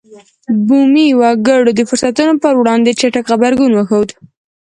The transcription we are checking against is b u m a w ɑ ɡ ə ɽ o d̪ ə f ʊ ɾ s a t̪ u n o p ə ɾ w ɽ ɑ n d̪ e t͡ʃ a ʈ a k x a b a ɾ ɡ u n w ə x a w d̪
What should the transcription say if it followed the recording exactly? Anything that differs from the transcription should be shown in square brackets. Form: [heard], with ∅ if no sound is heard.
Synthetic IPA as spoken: b u m [i] w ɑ ɡ ə ɽ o d̪ ə f ʊ ɾ s a t̪ u n o p ə ɾ w ɽ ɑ n d̪ e t͡ʃ a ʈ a k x a b a ɾ ɡ u n w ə x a w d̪